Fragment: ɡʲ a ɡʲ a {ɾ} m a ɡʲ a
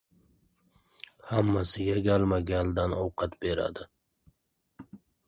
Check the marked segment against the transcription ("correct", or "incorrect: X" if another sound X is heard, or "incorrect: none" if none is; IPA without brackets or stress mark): incorrect: l